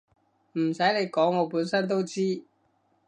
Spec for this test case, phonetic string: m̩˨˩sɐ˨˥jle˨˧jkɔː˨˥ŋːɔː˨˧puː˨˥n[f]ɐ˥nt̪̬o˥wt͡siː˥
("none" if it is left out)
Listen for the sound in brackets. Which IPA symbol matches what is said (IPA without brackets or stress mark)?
s